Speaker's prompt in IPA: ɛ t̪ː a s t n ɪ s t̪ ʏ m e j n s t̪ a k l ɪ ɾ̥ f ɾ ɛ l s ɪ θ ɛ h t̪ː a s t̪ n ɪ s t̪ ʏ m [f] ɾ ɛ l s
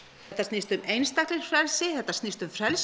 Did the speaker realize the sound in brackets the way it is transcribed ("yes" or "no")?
yes